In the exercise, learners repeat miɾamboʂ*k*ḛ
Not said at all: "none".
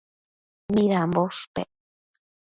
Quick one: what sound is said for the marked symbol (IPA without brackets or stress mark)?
p